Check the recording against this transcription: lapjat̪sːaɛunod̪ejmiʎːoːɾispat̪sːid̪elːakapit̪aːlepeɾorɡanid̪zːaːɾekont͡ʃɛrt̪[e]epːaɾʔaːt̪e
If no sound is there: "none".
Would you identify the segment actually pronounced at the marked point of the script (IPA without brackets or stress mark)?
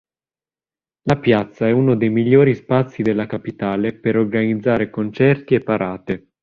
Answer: i